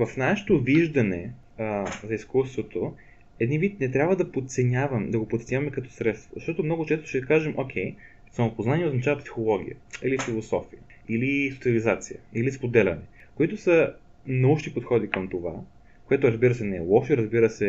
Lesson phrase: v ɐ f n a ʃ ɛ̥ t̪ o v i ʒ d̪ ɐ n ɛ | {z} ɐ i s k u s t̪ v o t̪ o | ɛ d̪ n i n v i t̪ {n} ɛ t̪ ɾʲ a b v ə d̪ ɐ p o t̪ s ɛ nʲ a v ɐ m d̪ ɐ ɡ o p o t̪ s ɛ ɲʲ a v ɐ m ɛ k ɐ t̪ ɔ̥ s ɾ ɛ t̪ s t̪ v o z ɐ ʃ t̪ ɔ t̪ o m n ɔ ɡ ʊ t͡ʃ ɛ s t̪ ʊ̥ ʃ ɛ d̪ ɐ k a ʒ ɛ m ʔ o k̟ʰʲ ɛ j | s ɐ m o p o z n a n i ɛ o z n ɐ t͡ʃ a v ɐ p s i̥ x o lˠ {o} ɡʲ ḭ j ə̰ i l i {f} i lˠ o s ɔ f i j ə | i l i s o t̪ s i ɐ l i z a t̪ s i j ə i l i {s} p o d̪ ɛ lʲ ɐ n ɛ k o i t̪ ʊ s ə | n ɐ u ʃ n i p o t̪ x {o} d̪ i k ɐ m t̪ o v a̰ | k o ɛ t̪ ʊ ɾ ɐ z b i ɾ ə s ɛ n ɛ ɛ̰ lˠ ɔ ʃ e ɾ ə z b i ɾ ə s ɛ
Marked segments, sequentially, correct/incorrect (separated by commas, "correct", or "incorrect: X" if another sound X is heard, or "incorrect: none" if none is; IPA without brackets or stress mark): correct, correct, incorrect: ɔ, correct, correct, incorrect: ɔ